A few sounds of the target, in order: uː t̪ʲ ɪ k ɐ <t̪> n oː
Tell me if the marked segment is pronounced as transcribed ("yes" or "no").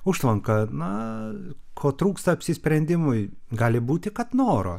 yes